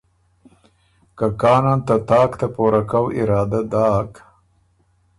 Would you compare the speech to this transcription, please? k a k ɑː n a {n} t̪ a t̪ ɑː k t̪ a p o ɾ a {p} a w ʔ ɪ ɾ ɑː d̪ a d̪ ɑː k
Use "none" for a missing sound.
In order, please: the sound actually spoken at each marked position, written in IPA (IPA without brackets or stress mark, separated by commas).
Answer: n, k